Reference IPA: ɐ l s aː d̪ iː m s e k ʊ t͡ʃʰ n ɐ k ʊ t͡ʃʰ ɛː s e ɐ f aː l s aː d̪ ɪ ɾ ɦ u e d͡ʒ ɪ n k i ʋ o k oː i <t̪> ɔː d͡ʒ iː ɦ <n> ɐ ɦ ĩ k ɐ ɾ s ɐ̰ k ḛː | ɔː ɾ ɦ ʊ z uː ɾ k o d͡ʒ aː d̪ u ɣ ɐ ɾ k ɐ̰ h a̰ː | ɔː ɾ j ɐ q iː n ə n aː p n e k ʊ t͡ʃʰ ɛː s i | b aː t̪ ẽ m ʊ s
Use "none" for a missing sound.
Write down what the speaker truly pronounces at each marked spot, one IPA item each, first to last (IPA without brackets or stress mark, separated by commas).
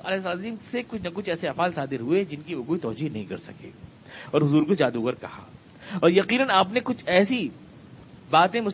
t̪, n